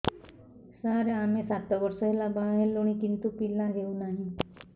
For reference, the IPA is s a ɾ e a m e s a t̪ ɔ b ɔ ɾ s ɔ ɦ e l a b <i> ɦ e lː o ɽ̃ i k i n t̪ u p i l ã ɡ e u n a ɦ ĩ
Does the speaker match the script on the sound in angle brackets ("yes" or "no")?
no